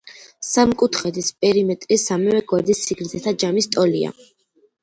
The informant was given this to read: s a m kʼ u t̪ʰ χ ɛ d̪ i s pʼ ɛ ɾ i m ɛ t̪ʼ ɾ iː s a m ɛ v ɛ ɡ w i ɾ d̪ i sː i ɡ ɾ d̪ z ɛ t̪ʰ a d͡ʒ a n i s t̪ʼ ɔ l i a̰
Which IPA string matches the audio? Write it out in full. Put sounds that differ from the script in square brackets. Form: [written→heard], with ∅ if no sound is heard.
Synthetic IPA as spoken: s a m kʼ u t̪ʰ χ ɛ d̪ i s pʼ ɛ ɾ i m ɛ t̪ʼ ɾ [iː→i] s a m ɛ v ɛ ɡ w [i→a] ɾ d̪ i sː i ɡ ɾ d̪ z ɛ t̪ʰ a d͡ʒ a [n→m] i s t̪ʼ ɔ l i a̰